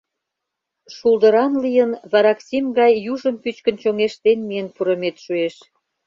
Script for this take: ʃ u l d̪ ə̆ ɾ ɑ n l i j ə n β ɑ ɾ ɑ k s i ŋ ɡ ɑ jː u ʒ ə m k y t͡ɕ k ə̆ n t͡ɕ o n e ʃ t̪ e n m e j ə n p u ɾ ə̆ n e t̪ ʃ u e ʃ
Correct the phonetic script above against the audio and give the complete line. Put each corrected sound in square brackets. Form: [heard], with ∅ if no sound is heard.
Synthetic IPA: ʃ u l d̪ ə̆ ɾ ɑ n l i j ə n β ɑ ɾ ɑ k s i [m] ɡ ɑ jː u ʒ ə m [p] y t͡ɕ k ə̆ n t͡ɕ o [ŋ] e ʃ t̪ e n m [i] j ə n p u ɾ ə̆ [m] e t̪ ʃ u e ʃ

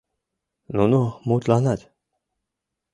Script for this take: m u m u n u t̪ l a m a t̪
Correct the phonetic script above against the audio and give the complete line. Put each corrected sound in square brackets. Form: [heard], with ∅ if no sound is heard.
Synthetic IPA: [n] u [n] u [m] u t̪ l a [n] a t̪

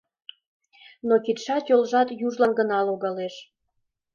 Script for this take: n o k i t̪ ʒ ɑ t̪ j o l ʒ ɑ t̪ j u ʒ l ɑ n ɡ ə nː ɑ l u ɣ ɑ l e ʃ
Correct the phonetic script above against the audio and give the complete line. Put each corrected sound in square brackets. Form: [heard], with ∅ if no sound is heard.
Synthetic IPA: n o k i t̪ [ʃ] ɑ t̪ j o l ʒ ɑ t̪ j u ʒ l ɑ n ɡ ə [n] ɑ l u ɣ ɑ l e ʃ

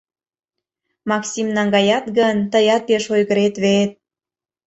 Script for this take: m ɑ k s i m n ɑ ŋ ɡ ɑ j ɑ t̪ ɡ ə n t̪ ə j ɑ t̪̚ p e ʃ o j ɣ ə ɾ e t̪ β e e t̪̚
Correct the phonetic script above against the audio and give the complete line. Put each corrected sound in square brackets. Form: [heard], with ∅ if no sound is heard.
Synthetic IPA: m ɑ k s i m n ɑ ŋ ɡ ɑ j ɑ t̪ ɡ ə n t̪ ə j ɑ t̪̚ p e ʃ o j ɣ ə ɾ e t̪ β e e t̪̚

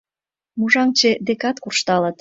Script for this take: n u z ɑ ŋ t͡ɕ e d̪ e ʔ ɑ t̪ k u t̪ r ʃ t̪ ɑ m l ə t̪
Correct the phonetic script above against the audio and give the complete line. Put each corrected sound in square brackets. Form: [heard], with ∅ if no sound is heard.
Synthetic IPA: [m] u [ʒ] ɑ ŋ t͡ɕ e d̪ e [k] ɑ t̪ k u [∅] r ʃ t̪ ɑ [∅] l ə t̪

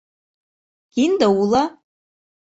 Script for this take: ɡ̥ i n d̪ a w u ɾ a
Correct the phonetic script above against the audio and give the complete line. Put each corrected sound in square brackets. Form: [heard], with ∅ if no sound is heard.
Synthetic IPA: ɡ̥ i n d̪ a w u [l] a

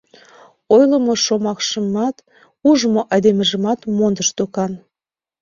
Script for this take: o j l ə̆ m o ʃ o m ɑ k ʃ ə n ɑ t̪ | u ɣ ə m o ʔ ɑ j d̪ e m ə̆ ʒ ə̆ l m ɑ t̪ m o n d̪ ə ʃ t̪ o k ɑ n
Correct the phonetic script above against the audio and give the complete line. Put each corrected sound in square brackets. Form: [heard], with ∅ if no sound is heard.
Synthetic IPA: o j l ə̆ m o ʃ o m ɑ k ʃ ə [m] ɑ t̪ | u [ʒ] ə m o ʔ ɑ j d̪ e m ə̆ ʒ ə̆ [∅] m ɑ t̪ m o n d̪ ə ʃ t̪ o k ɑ n

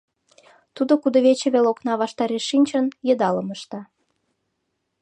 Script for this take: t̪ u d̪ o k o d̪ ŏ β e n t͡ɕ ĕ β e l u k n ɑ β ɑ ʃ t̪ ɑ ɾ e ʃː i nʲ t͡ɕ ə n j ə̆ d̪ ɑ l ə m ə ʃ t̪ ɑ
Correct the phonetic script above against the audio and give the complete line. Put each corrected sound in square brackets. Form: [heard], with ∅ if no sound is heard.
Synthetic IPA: t̪ u d̪ o k [u] d̪ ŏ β e [∅] t͡ɕ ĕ β e l [o] k n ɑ β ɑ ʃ t̪ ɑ ɾ e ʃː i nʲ t͡ɕ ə n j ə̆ d̪ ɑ l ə m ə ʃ t̪ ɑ

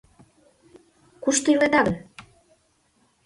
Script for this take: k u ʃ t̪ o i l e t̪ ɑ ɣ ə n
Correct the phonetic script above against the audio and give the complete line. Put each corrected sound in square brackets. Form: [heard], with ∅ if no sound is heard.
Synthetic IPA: k u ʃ t̪ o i l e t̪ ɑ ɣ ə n

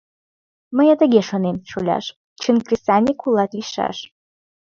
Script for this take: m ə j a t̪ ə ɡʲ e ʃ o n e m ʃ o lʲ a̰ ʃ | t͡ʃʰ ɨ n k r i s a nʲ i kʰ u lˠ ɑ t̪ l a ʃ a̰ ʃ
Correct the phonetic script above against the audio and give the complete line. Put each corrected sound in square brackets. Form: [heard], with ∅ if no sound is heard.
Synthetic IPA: m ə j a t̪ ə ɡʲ e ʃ o n e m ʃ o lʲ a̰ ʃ | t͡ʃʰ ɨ n k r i s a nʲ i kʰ u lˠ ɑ t̪ l [i] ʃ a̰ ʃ

